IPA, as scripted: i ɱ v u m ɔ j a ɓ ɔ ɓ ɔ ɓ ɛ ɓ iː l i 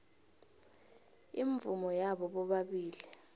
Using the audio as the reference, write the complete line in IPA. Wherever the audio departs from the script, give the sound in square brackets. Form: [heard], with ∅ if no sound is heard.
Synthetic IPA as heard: i ɱ v u m ɔ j a ɓ ɔ ɓ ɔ ɓ [a] ɓ iː l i